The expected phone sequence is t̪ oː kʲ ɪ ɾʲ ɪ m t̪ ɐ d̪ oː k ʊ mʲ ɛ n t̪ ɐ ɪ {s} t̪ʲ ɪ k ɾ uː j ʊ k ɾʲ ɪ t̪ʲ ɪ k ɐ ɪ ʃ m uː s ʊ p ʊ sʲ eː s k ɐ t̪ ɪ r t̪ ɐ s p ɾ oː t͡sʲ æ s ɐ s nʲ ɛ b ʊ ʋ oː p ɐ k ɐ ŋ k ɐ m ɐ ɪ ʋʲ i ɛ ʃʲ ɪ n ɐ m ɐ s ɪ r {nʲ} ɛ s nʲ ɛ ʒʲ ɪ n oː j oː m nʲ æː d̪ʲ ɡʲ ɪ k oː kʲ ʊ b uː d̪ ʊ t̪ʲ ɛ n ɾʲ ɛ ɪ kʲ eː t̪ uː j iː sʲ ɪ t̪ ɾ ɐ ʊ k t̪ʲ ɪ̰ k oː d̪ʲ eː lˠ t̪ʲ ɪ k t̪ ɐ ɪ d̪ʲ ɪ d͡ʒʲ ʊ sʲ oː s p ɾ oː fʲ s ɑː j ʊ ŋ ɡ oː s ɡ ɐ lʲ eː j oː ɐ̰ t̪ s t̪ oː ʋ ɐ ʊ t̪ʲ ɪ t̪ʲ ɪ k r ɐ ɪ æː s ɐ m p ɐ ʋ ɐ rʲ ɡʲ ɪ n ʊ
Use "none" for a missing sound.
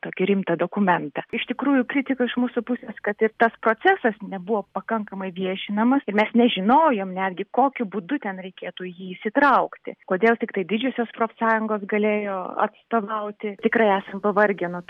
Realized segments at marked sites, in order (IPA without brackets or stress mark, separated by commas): ʃ, mʲ